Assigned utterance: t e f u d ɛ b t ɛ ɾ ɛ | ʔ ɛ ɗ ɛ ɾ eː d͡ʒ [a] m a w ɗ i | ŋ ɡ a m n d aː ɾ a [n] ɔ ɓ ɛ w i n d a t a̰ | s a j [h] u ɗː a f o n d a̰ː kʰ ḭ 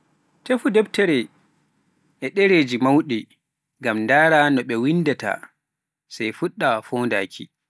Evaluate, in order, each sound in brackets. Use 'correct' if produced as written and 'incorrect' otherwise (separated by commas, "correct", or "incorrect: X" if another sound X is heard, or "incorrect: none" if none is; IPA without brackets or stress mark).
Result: incorrect: i, correct, incorrect: f